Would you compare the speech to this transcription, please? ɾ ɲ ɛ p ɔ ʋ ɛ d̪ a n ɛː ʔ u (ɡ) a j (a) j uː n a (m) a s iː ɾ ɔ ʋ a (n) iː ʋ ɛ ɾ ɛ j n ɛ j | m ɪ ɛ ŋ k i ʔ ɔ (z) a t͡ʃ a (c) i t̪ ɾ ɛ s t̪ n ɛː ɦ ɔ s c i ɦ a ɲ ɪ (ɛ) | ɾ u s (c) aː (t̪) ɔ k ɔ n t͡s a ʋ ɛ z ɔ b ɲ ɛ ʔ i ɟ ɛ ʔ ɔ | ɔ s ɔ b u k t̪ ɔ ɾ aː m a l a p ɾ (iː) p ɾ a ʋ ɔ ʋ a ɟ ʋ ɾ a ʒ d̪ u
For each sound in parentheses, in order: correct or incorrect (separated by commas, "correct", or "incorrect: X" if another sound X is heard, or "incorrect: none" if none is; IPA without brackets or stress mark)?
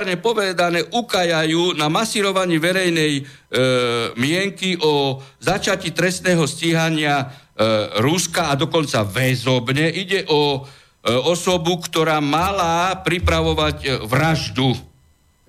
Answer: incorrect: k, correct, correct, incorrect: ɲ, correct, correct, incorrect: a, incorrect: k, incorrect: d̪, incorrect: i